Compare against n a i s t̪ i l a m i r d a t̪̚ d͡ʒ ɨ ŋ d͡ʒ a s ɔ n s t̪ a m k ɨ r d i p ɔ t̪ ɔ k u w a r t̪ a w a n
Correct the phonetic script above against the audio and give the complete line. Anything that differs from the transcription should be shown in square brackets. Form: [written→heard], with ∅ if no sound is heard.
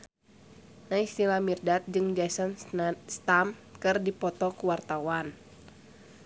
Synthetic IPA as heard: n a i s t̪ i l a m i r d a t̪̚ d͡ʒ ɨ ŋ d͡ʒ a s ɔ n s t̪ a m k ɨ r d i p ɔ t̪ ɔ k u w a r t̪ a w a n